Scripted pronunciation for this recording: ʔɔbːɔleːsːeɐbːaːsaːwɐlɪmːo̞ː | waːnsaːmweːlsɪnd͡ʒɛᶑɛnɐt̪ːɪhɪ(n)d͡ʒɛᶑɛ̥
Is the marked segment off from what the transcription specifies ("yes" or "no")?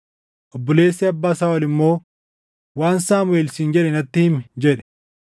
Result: yes